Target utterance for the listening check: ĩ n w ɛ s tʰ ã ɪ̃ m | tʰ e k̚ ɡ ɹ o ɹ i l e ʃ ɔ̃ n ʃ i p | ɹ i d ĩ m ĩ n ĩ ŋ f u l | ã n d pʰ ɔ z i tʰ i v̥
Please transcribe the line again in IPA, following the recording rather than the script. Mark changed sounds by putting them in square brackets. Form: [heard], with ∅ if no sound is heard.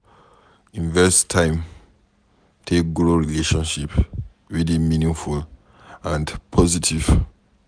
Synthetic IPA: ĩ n [v] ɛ s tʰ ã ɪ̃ m | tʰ e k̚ ɡ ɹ o ɹ i l e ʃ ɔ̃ n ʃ i p | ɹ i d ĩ m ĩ n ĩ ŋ f u l | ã n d pʰ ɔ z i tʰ i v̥